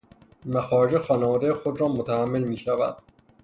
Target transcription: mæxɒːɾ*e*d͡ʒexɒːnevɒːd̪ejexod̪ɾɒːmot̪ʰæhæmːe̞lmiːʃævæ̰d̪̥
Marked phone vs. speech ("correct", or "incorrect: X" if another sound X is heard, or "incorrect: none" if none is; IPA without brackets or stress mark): correct